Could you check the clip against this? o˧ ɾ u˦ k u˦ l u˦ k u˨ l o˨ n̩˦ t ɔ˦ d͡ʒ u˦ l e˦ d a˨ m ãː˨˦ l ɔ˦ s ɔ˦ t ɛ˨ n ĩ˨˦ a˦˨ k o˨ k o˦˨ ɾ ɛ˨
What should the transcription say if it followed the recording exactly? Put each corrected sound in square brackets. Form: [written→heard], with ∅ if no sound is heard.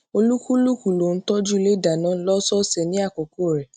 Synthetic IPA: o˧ [ɾ→l] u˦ k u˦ l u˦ k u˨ l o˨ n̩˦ t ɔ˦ d͡ʒ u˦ l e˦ d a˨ [m→n] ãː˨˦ l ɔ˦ s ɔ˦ [t→s] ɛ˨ n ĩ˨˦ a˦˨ k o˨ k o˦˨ ɾ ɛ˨